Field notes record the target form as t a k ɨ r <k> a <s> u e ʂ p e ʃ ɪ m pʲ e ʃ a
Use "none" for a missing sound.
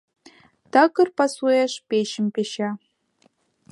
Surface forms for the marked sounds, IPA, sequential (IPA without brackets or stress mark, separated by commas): p, s